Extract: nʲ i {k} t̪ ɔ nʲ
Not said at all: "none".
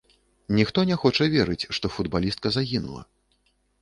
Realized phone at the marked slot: x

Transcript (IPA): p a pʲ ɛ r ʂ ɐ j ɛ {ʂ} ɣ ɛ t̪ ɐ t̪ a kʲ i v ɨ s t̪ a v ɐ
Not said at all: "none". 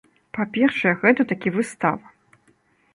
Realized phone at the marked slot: none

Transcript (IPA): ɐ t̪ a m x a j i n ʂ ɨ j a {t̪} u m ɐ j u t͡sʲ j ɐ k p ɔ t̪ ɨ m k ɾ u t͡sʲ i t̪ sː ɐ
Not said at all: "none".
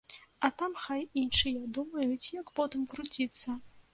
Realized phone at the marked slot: d̪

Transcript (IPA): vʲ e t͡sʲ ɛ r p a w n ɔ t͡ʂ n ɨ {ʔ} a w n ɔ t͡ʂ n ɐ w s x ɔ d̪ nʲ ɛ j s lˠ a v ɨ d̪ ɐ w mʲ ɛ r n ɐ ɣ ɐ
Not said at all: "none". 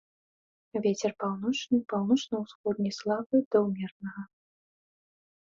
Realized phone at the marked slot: p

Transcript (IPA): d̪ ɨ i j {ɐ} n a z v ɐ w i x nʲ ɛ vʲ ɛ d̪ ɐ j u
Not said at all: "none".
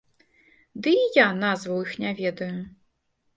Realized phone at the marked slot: a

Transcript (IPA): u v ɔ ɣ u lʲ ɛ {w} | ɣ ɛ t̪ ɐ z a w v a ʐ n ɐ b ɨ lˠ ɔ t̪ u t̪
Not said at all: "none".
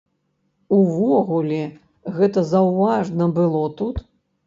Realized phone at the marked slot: none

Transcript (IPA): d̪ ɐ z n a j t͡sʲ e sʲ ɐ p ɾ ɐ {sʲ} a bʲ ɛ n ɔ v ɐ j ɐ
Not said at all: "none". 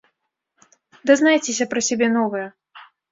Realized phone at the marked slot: sʲ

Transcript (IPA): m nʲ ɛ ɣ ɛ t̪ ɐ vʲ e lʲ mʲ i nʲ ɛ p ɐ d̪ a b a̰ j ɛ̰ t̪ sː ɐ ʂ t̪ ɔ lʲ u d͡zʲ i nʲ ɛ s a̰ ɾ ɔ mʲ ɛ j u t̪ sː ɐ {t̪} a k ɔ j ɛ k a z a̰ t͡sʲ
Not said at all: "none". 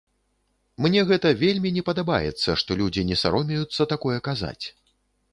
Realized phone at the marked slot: t̪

